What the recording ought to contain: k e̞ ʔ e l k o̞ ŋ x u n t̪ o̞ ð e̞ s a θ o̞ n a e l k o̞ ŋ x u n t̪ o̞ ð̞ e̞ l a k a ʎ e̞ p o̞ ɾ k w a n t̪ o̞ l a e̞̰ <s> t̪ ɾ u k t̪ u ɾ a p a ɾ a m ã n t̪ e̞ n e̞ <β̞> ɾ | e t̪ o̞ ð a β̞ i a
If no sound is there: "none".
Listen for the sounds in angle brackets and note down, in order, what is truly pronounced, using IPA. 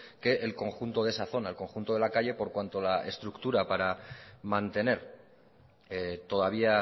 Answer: s, none

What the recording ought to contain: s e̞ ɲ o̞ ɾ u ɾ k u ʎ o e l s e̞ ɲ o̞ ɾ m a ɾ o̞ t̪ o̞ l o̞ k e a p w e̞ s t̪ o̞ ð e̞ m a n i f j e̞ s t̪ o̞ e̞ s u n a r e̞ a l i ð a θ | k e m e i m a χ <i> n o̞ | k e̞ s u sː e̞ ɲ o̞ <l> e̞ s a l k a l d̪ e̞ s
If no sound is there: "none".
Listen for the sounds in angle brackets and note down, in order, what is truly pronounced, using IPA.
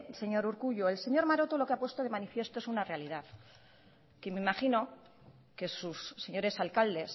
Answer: i, ɾ

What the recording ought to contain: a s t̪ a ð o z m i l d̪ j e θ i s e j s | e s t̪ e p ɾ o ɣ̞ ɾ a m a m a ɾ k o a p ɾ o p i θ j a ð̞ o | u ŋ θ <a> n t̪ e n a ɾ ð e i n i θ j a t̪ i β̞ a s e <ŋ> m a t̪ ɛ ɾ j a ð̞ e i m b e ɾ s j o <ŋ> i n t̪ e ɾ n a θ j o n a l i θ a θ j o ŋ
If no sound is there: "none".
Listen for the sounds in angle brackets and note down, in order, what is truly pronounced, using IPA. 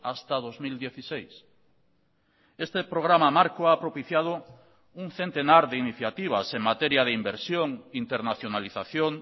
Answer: e, ŋ, ŋ

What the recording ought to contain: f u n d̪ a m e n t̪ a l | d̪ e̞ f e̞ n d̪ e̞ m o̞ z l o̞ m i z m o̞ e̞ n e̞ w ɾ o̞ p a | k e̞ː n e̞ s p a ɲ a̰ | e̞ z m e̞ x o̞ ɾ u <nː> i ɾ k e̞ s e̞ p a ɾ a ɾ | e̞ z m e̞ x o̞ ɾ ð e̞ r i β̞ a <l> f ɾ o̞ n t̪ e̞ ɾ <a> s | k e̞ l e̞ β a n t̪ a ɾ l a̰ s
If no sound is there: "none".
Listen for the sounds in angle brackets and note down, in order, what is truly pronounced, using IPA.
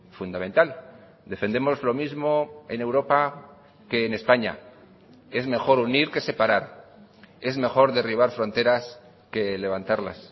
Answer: n, ɾ, a

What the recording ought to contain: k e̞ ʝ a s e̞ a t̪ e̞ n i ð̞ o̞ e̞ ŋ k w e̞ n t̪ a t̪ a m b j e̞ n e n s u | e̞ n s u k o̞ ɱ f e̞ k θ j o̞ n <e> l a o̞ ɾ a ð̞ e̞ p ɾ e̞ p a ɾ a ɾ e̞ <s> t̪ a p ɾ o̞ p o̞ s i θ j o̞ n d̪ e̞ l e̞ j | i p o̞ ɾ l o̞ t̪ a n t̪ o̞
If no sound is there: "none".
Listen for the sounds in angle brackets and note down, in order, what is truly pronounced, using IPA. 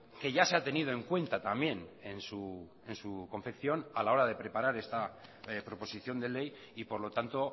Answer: a, s

